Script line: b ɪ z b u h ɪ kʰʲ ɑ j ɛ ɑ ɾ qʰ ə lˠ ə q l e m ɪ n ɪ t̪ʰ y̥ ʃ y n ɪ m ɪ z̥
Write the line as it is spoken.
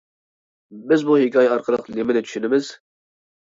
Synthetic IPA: b ɪ z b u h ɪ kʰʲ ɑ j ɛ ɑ ɾ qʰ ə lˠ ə q l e m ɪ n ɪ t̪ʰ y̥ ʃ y n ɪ m ɪ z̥